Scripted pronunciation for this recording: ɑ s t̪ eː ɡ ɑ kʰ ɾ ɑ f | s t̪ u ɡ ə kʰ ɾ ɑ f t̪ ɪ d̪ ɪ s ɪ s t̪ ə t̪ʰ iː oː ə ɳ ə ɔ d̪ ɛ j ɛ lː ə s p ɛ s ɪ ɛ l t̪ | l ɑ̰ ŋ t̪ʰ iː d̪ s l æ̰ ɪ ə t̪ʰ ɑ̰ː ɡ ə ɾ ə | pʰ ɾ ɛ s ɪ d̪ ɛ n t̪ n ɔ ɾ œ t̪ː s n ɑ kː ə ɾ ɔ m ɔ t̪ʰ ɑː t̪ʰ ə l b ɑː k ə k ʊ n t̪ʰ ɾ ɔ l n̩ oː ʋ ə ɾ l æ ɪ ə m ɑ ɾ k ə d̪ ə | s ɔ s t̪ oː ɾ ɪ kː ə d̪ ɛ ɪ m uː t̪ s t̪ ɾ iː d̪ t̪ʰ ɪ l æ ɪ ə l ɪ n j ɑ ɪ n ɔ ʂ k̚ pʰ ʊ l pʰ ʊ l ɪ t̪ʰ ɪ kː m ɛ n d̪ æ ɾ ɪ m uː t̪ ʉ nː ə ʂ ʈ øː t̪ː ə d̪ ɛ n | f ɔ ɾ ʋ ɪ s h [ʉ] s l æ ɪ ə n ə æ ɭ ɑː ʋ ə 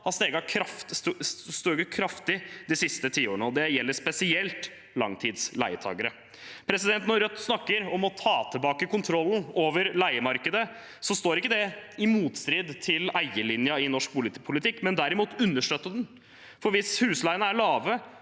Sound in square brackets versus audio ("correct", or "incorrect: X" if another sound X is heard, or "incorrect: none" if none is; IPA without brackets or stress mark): incorrect: ʉː